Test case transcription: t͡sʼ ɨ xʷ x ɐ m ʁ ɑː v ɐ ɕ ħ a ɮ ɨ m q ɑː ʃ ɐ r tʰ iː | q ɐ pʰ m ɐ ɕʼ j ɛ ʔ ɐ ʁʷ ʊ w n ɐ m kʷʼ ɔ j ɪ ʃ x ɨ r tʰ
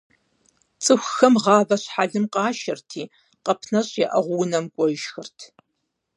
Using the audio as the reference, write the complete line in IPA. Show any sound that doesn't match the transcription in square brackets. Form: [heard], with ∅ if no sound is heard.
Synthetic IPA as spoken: t͡sʼ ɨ xʷ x ɐ m ʁ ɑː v ɐ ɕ ħ a ɮ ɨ m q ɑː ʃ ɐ r tʰ iː | q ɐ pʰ [n] ɐ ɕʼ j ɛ ʔ ɐ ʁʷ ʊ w n ɐ m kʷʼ ɔ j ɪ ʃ x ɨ r tʰ